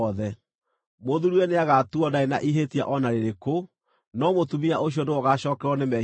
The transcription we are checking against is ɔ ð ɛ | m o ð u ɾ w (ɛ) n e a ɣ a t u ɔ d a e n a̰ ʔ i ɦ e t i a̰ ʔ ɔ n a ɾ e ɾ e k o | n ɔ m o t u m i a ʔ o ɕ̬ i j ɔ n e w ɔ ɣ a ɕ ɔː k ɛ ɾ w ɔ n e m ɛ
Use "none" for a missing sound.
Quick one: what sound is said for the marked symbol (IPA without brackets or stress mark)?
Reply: ɛ